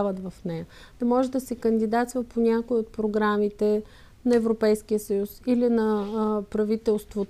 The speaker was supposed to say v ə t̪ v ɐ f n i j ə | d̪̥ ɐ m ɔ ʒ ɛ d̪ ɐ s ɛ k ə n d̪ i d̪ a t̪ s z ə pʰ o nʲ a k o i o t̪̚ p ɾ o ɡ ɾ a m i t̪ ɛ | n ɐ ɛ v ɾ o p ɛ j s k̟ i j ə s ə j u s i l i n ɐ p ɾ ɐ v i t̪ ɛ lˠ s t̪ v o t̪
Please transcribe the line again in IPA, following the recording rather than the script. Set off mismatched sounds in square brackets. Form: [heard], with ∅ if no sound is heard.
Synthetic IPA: v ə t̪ v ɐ f n [ɛ] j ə | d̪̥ ɐ m ɔ ʒ ɛ d̪ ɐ s ɛ k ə n d̪ i d̪ a t̪ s [v] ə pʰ o nʲ a k o i o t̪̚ p ɾ o ɡ ɾ a m i t̪ ɛ | n ɐ ɛ v ɾ o p ɛ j s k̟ i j ə s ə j u s i l i n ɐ p ɾ ɐ v i t̪ ɛ lˠ s t̪ v o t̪